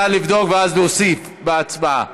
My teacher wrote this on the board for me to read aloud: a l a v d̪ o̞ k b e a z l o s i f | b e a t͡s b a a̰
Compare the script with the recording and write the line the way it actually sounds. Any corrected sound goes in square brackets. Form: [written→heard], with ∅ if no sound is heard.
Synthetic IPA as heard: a l [a→i] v d̪ o̞ k [b→v] e a z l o s i f | b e a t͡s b a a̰

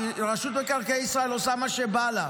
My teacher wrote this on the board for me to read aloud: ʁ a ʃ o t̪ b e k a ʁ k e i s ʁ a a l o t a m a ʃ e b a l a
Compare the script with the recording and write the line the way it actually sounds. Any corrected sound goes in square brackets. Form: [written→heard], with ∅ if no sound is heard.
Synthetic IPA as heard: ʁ a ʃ [o→u] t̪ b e k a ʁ k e i s ʁ a [a→e] l o [t→s] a m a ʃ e b a l a

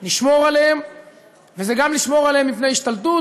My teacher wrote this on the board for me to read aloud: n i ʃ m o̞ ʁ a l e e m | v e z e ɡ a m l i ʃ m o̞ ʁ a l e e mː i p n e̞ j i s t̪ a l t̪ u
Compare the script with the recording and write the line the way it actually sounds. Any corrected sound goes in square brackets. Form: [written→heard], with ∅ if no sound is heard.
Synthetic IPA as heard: n i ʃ m o̞ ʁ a l e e m | v e z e ɡ a m l i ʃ m o̞ ʁ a l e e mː i p n e̞ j i [s→ʃ] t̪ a l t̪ u

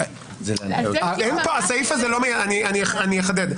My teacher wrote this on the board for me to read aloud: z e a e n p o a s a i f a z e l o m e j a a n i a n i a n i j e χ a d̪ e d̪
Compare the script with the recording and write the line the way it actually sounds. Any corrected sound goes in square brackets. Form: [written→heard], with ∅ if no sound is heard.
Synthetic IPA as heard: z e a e n p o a s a i f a z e l o m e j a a n i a n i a n i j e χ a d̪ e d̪

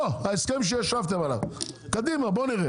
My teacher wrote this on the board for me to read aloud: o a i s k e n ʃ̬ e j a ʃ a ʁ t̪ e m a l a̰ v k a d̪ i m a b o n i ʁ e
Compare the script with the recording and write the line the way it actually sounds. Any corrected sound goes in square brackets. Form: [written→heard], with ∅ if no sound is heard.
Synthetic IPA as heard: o a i s k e [n→m] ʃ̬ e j a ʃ a [ʁ→v] t̪ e m a l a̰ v k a d̪ i m a b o n i ʁ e

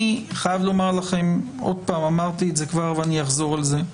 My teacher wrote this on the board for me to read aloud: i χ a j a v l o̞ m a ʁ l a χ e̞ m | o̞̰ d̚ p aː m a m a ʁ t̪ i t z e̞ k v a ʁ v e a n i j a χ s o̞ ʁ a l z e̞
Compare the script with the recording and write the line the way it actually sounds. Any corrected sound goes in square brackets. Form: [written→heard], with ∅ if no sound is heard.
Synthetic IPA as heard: i χ a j a v l o̞ m a ʁ l a χ e̞ m | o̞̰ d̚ p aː m a m a ʁ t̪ i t z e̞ k v a ʁ v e a n i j a χ [s→z] o̞ ʁ a l z e̞

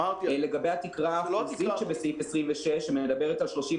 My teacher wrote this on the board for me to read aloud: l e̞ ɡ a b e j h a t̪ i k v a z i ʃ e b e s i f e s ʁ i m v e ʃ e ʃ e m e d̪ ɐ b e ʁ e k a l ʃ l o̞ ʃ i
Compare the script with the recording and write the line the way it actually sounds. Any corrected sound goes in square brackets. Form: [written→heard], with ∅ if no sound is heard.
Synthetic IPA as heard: l e̞ ɡ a b e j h a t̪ i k [v→ʁ] a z i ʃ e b e s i f e s ʁ i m v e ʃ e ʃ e m e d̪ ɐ b e ʁ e [k→t] a l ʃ l o̞ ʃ i

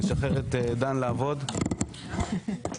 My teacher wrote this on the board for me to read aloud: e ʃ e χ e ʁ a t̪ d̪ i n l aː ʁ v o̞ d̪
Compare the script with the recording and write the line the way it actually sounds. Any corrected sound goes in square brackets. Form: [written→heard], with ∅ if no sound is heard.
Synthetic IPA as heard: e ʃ [e→a] χ e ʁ [a→e] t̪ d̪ [i→a] n l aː [ʁ→∅] v o̞ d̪

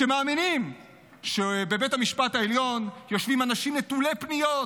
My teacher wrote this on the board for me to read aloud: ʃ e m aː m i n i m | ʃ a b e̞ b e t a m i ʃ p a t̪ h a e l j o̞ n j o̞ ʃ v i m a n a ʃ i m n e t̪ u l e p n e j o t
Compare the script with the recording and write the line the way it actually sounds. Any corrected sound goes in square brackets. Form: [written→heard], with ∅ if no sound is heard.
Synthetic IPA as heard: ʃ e m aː m i n i m | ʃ [a→e] b e̞ b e t a m i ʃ p a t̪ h a e l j o̞ n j o̞ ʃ v i m a n a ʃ i m n e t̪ u l e p n [e→i] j o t

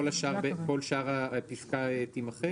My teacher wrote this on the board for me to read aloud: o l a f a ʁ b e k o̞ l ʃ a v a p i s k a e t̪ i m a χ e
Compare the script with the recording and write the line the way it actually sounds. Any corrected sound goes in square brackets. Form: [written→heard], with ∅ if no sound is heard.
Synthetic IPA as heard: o l a [f→ʃ] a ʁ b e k o̞ l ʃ a [v→ʁ] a p i s k a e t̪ i m a χ e

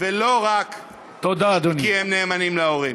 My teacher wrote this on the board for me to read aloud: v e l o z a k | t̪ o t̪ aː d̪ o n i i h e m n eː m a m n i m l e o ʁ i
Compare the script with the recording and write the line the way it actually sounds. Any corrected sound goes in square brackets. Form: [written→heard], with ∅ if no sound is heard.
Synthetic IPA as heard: v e l o [z→ʁ] a k | t̪ o [t̪→d̪] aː d̪ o n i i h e m n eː m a [m→∅] n i m l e o ʁ i

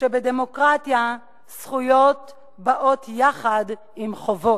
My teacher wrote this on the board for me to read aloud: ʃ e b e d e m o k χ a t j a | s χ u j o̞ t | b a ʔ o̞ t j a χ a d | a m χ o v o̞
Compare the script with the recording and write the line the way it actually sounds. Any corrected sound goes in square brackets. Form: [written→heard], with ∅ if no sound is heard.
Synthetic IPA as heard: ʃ e b e d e m o k [χ→ʁ] a t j a | s χ u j o̞ t | b a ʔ o̞ t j a χ a d | [a→i] m χ o v o̞

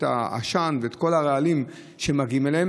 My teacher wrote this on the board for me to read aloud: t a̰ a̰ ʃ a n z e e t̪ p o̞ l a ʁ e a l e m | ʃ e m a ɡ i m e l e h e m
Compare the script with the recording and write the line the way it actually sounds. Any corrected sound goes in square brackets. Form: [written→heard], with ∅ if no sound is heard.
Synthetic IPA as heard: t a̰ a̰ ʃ a n [z→v] e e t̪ [p→k] o̞ l a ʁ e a l [e→i] m | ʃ e m a ɡ i m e l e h e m

